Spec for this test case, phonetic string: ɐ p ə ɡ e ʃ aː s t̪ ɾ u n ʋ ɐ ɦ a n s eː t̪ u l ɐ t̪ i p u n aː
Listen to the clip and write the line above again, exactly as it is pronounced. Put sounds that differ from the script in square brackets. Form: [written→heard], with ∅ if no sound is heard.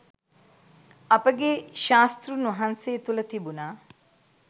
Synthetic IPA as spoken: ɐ p ə ɡ e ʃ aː s t̪ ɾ u n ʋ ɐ ɦ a n s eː t̪ u l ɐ t̪ i [p→b] u n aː